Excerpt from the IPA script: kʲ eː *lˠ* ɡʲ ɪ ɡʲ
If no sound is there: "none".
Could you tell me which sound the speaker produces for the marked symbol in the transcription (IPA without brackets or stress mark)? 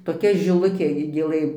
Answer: none